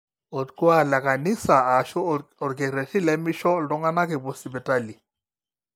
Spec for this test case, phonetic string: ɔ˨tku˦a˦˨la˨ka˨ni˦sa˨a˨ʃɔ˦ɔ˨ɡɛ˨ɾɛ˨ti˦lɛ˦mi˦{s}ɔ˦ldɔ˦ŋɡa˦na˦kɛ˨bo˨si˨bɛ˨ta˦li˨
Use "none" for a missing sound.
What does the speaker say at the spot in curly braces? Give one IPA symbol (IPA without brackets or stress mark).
ʃ